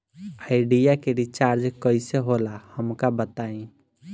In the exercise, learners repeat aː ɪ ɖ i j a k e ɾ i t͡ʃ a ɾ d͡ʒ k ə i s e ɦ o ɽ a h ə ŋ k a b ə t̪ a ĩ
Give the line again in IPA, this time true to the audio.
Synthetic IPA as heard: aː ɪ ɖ i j a k e ɾ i t͡ʃ a ɾ d͡ʒ k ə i s e ɦ o l a h ə m k a b ə t̪ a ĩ